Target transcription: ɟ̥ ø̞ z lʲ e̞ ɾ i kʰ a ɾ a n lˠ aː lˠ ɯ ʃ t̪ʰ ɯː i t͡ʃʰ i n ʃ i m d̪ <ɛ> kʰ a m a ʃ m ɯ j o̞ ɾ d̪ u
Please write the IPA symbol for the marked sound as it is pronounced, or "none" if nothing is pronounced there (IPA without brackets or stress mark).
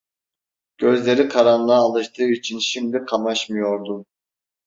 i